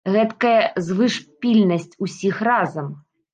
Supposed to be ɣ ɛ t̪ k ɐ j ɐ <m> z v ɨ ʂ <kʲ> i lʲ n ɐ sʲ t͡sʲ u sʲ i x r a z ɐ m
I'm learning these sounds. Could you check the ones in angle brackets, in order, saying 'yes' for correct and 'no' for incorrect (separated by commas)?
no, no